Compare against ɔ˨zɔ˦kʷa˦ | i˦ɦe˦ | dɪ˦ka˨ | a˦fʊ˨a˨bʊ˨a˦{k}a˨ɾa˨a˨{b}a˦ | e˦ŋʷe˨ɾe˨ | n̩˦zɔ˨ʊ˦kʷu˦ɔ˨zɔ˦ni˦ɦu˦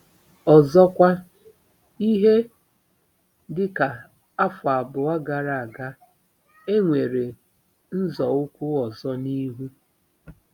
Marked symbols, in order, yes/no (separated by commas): no, no